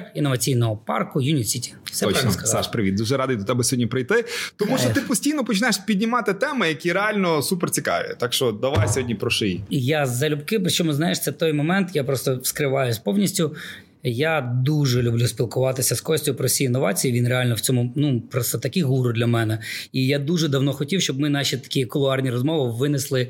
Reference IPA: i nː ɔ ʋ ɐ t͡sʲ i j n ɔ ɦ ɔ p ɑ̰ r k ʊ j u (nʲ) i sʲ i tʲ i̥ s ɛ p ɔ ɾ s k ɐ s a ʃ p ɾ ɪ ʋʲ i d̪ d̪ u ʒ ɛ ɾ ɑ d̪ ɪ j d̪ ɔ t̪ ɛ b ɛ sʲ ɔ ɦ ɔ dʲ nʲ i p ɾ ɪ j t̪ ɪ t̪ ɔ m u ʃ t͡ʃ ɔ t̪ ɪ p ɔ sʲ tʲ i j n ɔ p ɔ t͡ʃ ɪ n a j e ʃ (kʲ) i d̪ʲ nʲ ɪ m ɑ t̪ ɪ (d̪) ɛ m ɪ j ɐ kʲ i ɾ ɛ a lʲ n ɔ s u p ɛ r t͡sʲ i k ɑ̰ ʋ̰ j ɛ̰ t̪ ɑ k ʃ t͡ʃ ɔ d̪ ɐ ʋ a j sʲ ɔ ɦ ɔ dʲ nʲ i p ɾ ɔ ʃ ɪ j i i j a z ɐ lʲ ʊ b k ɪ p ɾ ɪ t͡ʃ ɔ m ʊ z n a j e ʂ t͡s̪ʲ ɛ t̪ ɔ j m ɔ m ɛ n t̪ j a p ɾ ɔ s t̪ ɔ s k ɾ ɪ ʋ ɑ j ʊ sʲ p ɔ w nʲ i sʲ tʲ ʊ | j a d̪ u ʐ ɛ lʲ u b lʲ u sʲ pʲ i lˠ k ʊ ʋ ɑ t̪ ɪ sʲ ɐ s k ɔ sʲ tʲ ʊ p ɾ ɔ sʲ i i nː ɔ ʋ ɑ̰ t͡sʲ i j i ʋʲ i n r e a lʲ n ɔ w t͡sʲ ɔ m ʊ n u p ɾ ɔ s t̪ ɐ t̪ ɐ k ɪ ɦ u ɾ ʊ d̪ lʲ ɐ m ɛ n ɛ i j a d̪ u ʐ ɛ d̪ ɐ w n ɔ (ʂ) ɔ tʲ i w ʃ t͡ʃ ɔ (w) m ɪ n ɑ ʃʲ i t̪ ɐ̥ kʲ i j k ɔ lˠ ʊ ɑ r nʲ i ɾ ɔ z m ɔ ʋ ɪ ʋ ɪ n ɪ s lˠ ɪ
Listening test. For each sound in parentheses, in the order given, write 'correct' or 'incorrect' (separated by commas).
correct, incorrect, incorrect, incorrect, incorrect